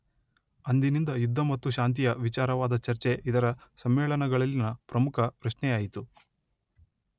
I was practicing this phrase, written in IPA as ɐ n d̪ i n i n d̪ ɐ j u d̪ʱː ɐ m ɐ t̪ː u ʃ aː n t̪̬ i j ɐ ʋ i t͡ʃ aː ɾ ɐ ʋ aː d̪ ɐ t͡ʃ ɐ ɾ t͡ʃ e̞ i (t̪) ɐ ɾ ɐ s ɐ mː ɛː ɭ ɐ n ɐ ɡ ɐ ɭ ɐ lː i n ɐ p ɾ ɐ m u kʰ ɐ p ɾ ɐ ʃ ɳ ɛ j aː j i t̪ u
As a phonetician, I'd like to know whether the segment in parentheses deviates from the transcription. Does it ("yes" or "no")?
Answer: yes